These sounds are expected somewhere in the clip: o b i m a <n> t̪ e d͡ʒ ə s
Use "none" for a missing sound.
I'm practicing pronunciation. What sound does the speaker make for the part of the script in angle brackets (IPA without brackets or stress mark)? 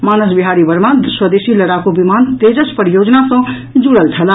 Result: n